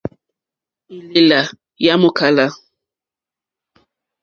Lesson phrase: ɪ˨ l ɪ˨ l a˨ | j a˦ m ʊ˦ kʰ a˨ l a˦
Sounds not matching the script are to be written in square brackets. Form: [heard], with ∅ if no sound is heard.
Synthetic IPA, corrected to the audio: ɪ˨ l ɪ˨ l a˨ | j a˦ m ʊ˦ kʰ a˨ l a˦